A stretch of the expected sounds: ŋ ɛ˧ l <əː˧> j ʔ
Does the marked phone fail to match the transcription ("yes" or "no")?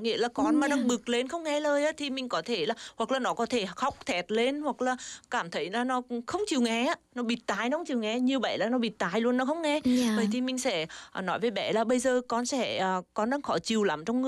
no